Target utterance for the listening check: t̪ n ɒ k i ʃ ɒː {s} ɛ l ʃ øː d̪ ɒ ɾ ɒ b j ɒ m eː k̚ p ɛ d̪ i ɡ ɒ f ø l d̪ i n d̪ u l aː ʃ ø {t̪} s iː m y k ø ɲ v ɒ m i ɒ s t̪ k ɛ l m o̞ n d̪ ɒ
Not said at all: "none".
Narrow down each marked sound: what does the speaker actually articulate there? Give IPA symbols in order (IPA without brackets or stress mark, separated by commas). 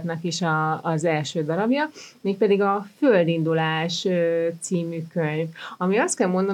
z, t̪